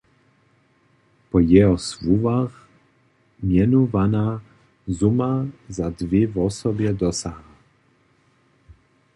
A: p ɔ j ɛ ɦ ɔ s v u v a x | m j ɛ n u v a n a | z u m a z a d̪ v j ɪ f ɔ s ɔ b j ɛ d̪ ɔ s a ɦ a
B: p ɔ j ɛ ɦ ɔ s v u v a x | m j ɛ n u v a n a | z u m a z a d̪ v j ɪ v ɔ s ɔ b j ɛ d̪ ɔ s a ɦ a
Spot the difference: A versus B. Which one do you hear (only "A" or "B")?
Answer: B